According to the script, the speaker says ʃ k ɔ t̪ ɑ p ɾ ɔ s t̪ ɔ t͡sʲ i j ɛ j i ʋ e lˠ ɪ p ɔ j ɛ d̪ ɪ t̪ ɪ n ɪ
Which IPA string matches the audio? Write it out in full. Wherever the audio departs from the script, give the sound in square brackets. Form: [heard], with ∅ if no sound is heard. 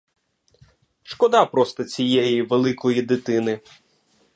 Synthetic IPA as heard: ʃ k ɔ [d̪] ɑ p ɾ ɔ s t̪ ɔ t͡sʲ i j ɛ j i ʋ e lˠ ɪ [k] ɔ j [i] d̪ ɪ t̪ ɪ n ɪ